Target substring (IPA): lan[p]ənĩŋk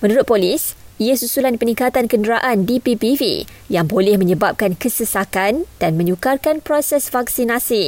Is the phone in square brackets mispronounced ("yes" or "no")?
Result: no